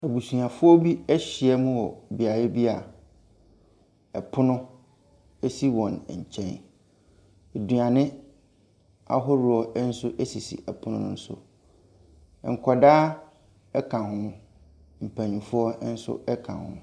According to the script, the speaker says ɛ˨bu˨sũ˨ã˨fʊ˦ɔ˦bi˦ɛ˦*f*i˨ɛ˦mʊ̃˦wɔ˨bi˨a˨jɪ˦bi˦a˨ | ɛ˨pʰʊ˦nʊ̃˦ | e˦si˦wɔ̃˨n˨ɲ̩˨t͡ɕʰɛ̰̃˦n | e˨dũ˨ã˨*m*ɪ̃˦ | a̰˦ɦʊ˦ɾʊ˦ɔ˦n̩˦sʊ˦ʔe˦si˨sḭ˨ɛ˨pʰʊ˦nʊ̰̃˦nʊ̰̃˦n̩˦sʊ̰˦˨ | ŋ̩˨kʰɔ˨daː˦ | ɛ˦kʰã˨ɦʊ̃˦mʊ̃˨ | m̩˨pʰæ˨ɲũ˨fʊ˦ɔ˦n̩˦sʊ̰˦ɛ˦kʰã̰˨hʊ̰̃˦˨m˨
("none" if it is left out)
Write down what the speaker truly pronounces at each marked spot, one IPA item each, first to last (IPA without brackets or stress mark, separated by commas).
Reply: ɕ, n